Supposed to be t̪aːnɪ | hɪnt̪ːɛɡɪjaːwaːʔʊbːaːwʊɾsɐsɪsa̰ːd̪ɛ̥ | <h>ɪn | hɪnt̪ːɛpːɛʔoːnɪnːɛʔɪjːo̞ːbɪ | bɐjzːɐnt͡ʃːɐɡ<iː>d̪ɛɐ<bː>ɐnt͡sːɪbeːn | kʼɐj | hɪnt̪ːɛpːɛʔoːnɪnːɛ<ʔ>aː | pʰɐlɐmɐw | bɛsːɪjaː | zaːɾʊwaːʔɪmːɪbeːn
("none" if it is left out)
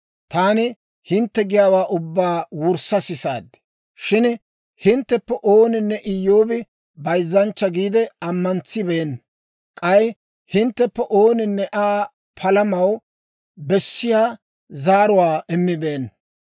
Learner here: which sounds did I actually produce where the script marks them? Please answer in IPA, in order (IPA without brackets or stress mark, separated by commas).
ʃ, iː, mː, ʔ